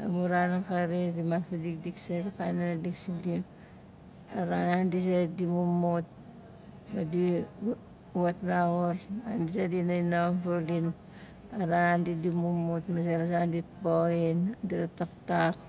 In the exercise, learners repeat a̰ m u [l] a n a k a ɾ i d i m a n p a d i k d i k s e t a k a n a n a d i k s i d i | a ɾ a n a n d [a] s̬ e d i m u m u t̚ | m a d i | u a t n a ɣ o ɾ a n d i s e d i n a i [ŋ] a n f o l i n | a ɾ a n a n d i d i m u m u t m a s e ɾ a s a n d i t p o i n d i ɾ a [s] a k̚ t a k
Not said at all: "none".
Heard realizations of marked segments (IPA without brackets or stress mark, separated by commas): ɾ, i, n, t